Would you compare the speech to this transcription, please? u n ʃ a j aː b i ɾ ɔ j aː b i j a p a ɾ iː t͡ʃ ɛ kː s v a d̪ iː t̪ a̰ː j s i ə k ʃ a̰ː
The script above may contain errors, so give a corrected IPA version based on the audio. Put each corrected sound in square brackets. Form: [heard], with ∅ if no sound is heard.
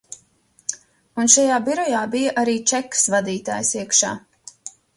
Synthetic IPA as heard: u n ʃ a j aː b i ɾ ɔ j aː b i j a [ʔ] a ɾ iː t͡ʃ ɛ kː s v a d̪ iː t̪ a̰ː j s i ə k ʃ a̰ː